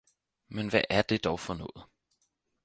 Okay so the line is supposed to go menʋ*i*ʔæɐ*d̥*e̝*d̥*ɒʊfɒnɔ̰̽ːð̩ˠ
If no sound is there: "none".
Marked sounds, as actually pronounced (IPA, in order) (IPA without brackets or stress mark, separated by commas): æ, d̥, d̥